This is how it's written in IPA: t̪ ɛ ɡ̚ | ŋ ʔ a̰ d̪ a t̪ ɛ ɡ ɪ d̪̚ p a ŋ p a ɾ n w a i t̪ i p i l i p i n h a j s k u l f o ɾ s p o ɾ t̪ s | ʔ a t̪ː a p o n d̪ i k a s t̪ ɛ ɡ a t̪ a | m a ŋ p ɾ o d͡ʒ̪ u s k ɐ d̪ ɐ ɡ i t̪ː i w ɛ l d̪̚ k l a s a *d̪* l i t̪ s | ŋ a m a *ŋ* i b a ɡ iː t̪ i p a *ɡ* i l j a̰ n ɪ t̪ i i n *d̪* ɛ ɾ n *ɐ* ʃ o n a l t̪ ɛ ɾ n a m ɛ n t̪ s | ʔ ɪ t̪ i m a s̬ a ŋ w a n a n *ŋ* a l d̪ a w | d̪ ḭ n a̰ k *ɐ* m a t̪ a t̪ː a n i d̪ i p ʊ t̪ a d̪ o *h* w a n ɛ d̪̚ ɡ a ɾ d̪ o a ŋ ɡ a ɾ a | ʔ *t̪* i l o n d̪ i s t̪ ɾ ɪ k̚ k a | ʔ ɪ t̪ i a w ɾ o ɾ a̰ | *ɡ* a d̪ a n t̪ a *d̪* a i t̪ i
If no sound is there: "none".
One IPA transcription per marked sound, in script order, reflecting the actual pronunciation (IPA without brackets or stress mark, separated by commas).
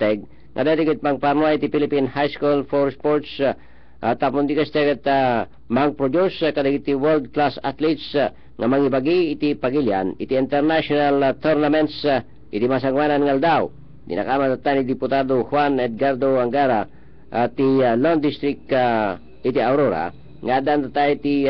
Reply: t̪, ŋ, ɡ, t̪, a, ŋ, a, h, t̪, ŋ, t̪